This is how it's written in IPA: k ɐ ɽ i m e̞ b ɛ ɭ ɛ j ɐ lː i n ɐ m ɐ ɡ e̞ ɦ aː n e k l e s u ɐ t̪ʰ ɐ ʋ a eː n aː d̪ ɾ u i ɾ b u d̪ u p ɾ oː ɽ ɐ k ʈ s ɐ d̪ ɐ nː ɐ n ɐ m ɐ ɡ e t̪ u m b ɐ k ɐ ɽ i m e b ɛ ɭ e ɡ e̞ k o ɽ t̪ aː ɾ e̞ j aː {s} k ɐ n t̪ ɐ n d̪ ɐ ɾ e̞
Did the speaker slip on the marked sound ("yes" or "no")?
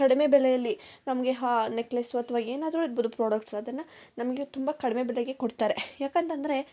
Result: yes